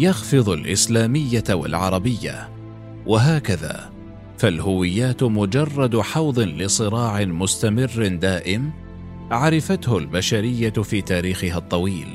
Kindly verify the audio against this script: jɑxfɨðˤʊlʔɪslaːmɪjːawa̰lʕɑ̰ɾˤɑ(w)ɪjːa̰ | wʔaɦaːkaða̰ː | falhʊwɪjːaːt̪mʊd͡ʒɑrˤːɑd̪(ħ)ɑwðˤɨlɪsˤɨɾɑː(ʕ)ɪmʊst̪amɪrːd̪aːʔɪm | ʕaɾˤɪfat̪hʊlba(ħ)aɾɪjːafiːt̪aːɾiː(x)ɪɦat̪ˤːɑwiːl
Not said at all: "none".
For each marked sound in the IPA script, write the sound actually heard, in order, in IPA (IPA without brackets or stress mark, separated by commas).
b, ħ, ʕ, ʃ, x